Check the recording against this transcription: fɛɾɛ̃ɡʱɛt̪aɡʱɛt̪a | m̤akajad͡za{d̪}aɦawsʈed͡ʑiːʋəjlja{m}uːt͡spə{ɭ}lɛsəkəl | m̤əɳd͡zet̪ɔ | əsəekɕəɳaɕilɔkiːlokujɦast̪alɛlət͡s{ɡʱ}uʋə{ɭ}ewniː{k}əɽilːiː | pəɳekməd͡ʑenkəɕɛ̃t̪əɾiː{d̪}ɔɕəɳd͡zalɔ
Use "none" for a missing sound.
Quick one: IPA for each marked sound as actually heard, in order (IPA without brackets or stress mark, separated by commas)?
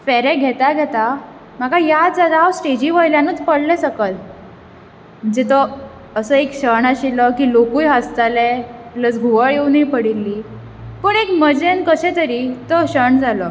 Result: d̪, n, ɽ, ɡʱ, ɭ, p, t̪